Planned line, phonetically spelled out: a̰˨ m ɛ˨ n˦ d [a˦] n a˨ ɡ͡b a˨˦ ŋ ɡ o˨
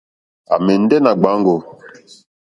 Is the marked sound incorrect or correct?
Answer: incorrect